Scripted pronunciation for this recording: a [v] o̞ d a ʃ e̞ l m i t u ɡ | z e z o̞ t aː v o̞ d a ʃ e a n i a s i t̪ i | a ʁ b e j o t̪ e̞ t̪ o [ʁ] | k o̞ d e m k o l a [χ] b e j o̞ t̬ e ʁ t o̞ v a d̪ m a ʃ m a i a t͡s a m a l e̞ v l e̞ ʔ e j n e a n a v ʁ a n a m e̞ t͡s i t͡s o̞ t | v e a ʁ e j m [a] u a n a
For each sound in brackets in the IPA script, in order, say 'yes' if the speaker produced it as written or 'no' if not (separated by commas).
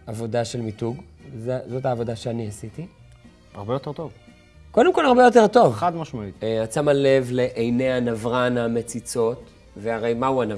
yes, no, no, yes